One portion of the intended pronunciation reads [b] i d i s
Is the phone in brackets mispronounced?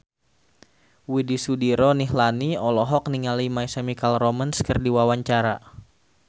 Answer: yes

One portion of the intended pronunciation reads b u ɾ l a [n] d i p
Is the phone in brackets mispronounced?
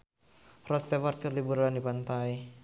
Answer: no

